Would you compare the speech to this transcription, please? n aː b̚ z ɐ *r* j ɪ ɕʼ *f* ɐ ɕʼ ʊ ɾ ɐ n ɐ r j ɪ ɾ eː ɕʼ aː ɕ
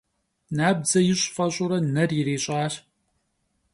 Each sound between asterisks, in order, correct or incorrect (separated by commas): incorrect, correct